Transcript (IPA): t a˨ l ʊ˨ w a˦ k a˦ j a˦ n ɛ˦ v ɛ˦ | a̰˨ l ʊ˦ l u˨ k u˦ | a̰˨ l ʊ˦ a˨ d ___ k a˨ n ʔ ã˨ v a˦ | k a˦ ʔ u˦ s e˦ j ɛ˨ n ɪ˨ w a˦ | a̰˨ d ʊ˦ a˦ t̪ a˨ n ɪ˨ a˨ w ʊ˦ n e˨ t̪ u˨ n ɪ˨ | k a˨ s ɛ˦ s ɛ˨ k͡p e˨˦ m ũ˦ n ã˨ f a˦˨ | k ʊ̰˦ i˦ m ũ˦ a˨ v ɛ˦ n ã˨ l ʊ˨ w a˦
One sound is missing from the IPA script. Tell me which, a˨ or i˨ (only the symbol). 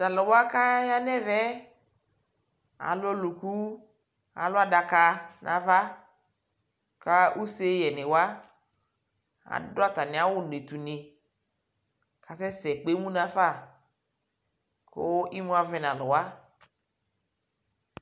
a˨